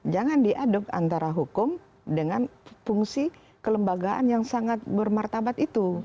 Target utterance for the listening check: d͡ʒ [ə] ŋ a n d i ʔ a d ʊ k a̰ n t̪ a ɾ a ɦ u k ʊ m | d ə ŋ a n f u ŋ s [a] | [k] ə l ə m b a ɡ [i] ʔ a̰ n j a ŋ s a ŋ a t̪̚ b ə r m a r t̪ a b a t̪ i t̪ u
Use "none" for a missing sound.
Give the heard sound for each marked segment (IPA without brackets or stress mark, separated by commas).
a, i, k, a